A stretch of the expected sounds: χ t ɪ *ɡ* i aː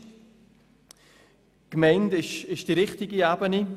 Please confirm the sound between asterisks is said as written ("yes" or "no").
yes